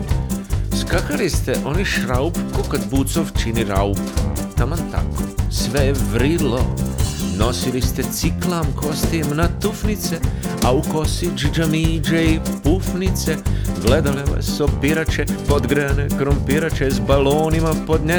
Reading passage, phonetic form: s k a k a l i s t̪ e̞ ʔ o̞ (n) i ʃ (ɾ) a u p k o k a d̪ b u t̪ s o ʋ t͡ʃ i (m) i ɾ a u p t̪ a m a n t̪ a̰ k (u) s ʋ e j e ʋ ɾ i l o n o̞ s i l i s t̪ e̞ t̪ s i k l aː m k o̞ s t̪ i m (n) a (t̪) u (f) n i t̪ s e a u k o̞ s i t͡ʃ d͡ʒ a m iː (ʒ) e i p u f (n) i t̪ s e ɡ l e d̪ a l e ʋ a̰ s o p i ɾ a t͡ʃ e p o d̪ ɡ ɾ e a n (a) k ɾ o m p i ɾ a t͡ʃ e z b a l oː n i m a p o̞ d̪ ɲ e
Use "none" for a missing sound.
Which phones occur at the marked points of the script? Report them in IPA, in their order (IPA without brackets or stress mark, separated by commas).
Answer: n, ɾ, n, o, n, t̪, f, d͡ʒ, n, e